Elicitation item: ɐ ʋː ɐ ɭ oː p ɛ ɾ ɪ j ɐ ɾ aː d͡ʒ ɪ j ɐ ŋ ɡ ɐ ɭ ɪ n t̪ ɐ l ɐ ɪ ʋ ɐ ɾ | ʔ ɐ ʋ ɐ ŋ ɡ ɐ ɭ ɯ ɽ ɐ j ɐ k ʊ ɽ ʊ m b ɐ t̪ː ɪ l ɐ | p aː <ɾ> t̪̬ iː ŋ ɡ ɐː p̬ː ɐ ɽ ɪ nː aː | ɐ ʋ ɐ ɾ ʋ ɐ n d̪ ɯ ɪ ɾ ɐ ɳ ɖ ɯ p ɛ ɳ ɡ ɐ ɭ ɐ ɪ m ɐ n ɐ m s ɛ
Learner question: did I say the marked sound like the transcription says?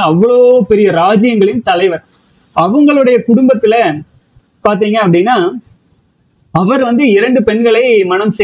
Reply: yes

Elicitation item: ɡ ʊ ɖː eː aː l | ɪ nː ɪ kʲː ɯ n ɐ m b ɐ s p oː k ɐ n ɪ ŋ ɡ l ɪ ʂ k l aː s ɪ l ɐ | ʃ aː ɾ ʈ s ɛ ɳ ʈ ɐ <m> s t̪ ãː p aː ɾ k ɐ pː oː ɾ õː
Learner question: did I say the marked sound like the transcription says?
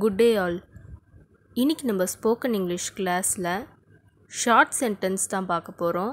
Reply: no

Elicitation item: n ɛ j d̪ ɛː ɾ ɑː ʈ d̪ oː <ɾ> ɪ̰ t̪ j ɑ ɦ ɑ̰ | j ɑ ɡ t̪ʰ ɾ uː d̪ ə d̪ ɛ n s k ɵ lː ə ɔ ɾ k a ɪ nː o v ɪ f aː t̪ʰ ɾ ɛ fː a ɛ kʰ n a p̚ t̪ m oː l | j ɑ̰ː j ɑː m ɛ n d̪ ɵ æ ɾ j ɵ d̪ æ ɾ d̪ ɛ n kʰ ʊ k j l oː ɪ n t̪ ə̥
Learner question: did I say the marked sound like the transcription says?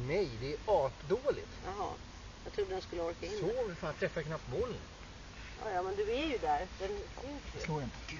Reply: no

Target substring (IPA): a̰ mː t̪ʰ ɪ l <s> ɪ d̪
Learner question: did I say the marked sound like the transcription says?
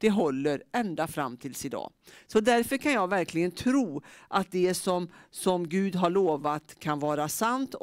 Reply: yes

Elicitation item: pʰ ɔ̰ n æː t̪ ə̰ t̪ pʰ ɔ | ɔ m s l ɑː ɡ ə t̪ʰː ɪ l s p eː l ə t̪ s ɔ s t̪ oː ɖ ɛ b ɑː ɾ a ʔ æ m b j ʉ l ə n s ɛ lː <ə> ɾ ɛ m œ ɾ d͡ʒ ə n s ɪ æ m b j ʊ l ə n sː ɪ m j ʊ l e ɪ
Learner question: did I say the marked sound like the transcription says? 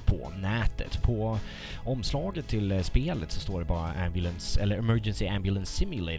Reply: yes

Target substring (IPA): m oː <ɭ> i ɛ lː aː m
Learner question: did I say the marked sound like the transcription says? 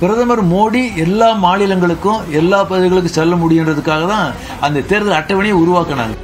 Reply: no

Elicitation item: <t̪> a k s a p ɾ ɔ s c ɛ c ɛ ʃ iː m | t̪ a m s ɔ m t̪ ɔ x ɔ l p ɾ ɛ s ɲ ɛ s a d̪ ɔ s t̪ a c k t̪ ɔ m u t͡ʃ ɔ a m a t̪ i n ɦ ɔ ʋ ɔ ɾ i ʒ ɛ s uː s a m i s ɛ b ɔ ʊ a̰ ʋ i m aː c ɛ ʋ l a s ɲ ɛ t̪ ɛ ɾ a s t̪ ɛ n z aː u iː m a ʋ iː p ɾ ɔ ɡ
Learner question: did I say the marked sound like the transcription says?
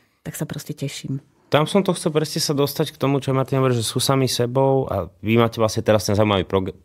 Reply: yes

